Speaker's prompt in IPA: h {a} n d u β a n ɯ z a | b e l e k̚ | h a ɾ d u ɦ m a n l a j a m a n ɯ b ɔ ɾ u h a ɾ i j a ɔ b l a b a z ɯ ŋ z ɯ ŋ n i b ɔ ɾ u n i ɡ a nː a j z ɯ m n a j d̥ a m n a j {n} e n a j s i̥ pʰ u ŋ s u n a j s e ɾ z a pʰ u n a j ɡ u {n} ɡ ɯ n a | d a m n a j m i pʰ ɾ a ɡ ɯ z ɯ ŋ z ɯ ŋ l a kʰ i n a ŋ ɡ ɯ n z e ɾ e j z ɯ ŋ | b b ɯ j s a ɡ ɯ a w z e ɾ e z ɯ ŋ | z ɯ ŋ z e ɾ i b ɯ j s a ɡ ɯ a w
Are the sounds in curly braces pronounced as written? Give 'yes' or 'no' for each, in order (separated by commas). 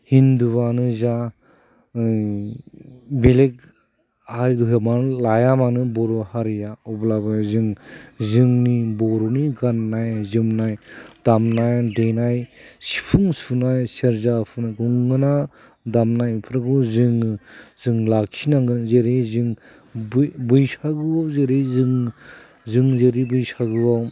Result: no, no, no